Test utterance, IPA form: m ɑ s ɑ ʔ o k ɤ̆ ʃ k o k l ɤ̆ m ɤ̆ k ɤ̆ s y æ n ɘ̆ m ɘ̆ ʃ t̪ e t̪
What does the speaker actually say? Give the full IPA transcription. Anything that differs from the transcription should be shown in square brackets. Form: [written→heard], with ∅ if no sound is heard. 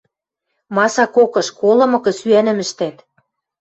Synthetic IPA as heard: m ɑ s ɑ [ʔ→k] o k ɤ̆ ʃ k o [k→∅] l ɤ̆ m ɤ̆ k ɤ̆ s y æ n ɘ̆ m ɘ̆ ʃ t̪ [e→æ] t̪